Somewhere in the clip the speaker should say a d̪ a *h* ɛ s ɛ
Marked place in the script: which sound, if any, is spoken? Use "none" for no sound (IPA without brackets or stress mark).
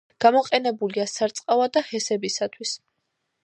h